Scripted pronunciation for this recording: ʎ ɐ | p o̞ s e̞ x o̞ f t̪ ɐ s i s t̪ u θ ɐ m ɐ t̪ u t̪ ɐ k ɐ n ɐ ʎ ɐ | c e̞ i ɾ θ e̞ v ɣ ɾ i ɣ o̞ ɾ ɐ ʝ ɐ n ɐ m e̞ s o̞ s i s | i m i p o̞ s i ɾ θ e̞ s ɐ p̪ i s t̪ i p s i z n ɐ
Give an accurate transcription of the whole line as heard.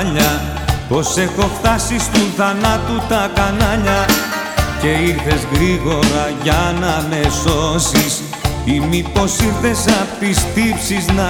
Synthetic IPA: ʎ ɐ | p o̞ s e̞ x o̞ f t̪ ɐ s i s t̪ u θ ɐ n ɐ t̪ u t̪ ɐ k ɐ n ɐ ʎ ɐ | c e̞ i ɾ θ e̞ z ɣ ɾ i ɣ o̞ ɾ ɐ ʝ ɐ n ɐ m e̞ s o̞ s i s | i m i p o̞ s i ɾ θ e̞ s ɐ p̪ i s t̪ i p s i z n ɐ